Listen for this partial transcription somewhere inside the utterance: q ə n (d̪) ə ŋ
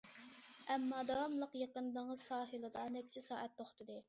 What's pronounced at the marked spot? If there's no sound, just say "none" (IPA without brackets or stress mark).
d̪